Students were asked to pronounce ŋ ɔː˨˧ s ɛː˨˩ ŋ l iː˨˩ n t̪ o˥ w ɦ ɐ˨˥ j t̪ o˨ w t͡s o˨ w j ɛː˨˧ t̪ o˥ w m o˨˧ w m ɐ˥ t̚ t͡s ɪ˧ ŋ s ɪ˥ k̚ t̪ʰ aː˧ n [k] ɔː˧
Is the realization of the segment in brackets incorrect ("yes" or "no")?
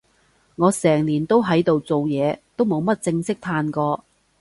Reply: no